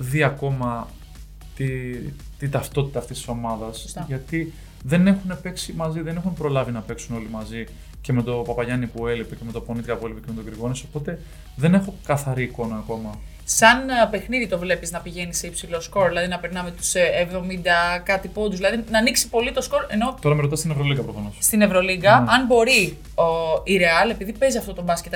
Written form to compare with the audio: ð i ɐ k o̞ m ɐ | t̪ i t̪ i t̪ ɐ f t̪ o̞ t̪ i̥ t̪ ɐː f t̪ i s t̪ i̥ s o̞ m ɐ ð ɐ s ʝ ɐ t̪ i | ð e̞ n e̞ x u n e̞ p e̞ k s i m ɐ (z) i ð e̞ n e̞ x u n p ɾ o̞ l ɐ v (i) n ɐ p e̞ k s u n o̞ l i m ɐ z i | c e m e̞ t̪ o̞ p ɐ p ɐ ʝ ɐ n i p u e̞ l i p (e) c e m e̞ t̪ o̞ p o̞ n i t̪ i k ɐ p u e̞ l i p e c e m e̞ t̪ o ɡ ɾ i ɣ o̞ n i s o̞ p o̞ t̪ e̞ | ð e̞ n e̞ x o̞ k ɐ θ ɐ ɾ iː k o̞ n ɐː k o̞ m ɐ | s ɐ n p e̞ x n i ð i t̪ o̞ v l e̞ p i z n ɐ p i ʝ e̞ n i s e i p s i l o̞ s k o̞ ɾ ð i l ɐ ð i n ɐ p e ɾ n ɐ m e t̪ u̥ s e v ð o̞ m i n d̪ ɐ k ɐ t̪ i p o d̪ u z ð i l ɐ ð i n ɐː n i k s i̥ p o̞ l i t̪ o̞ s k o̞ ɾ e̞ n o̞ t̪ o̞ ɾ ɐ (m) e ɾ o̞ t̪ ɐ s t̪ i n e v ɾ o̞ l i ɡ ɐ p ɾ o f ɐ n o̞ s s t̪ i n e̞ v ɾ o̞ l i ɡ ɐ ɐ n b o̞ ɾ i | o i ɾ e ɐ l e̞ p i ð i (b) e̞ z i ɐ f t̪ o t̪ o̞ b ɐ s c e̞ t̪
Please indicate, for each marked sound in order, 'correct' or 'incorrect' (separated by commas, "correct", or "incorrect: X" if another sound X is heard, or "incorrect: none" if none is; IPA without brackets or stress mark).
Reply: correct, correct, correct, correct, incorrect: p